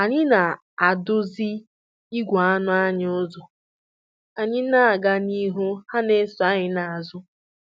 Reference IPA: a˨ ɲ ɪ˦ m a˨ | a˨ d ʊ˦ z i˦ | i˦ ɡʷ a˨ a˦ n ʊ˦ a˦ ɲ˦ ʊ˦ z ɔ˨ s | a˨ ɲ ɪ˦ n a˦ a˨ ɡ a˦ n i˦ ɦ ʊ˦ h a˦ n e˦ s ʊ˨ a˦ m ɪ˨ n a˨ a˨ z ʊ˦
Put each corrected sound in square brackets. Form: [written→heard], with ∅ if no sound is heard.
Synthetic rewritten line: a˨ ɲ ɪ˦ [m→n] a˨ | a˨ d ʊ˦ z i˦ | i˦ ɡʷ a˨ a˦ n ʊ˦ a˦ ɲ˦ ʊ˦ z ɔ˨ [s→∅] | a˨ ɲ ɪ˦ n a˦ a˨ ɡ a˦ n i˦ ɦ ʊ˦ h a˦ n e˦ s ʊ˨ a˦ [m→ɲ] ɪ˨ n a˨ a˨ z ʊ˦